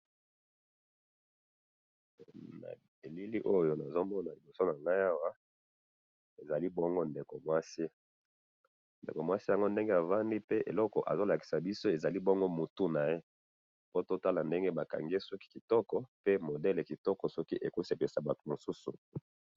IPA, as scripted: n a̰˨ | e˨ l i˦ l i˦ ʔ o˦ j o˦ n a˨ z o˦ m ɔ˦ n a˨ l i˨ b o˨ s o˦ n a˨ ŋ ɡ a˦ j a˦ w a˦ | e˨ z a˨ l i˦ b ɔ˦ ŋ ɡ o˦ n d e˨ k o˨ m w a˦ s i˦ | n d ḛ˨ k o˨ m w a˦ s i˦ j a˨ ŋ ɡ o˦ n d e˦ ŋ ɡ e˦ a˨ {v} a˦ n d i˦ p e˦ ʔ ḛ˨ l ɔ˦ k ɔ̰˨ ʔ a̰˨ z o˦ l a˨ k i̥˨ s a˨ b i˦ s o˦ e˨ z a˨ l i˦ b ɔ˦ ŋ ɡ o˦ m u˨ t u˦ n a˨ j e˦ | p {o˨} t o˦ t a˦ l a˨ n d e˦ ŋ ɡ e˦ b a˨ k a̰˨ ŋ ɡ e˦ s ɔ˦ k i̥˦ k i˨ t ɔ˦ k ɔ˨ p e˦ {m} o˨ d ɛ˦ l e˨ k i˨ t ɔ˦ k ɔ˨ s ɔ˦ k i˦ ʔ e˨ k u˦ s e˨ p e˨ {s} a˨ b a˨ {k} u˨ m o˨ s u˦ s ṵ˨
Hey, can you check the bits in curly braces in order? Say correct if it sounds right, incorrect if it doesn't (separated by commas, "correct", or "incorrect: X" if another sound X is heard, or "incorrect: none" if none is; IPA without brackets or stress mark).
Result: correct, incorrect: o˦, correct, correct, incorrect: t